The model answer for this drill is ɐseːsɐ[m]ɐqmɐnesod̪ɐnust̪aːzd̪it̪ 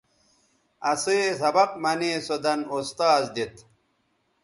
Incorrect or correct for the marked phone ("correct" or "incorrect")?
incorrect